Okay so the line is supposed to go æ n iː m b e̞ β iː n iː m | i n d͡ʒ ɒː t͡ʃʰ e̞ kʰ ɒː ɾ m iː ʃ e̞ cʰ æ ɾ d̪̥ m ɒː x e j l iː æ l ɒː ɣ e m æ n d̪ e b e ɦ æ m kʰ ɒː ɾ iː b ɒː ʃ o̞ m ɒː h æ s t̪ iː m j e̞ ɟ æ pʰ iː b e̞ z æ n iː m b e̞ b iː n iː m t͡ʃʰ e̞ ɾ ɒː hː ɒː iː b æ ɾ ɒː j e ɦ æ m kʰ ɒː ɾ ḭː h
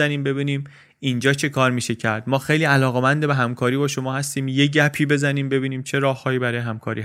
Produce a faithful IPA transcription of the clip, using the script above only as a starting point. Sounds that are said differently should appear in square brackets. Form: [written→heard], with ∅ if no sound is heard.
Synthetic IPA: æ n iː m b e̞ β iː n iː m | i n d͡ʒ ɒː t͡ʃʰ e̞ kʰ ɒː ɾ m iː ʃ e̞ cʰ æ ɾ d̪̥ m ɒː x e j l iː æ l ɒː ɣ e m æ n d̪ e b e ɦ æ m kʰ ɒː ɾ iː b ɒː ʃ o̞ m ɒː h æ s t̪ iː m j e̞ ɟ æ pʰ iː b e̞ z æ n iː m b e̞ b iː n iː m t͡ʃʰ e̞ ɾ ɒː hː ɒː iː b æ ɾ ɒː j e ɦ æ m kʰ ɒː ɾ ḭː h